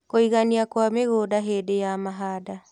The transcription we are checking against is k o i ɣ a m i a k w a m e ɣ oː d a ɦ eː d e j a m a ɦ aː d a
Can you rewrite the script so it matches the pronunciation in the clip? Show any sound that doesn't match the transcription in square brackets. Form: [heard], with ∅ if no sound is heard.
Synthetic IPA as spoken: k o i ɣ a [n] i a k w a m e ɣ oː d a ɦ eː d e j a m a ɦ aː d a